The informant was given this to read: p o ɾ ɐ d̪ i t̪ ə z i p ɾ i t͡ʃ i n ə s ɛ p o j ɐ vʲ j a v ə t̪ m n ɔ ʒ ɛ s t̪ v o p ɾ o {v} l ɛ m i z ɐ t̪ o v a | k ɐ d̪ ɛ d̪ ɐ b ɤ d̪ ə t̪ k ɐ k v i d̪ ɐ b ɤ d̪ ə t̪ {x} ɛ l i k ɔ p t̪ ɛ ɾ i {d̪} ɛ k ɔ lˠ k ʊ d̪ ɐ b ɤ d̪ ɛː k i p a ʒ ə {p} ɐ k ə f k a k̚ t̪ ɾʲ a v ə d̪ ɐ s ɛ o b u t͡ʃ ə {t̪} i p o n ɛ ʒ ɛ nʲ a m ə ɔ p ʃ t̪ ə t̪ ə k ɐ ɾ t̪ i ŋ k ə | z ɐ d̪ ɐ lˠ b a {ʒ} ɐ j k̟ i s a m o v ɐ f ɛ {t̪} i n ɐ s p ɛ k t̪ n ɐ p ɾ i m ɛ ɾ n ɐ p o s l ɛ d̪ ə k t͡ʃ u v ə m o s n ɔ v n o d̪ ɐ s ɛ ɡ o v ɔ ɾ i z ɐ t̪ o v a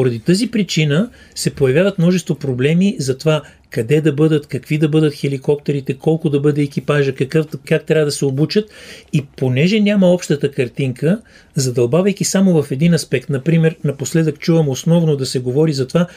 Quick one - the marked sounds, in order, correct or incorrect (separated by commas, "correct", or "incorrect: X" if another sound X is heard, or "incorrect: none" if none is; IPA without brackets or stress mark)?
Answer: incorrect: b, correct, incorrect: t̪, incorrect: k, correct, incorrect: v, incorrect: d̪